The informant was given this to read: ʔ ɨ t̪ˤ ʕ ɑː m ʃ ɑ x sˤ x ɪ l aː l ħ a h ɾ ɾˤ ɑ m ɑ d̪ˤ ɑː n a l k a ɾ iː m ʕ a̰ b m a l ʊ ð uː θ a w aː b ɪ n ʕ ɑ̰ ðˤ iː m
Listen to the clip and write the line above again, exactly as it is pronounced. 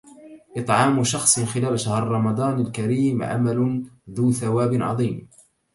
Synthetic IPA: ʔ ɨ t̪ˤ ʕ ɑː m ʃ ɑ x sˤ x ɪ l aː l ʃ a h ɾ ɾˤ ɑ m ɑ d̪ˤ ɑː n a l k a ɾ iː m ʕ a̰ m a l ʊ ð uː θ a w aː b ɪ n ʕ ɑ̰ ðˤ iː m